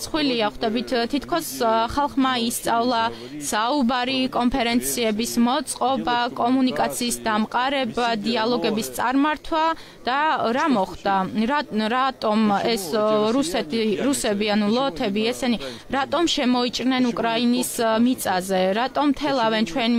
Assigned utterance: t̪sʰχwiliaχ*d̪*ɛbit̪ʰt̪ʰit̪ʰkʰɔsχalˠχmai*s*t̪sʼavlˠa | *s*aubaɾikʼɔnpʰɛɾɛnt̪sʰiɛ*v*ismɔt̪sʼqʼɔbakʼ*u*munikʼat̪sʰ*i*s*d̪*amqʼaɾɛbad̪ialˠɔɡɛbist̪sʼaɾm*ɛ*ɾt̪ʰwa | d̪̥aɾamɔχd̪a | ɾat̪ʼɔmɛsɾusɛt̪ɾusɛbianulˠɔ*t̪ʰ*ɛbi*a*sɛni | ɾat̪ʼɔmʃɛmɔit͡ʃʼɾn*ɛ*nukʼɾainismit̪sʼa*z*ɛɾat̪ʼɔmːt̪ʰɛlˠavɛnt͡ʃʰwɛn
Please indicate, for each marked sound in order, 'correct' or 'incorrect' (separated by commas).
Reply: correct, correct, correct, incorrect, incorrect, incorrect, correct, incorrect, correct, incorrect, correct, correct